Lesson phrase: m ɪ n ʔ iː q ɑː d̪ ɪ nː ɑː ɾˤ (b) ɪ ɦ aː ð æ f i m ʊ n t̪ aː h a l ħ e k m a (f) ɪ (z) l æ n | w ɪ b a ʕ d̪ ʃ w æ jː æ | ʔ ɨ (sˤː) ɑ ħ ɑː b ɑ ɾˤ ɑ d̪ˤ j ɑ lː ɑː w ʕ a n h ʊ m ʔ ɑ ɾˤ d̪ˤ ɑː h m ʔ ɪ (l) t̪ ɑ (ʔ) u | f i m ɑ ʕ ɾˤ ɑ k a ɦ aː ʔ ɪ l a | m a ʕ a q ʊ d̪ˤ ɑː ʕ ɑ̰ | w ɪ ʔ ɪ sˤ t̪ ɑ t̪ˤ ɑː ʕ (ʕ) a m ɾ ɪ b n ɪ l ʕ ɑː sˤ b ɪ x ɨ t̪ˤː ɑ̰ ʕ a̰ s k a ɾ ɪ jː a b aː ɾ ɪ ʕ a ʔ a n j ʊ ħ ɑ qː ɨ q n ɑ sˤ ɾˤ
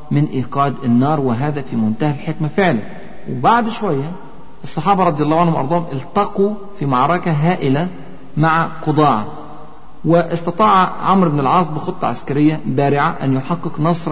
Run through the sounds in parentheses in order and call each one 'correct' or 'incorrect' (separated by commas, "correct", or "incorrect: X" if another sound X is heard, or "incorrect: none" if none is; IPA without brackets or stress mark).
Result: incorrect: w, correct, incorrect: ʕ, correct, correct, incorrect: q, correct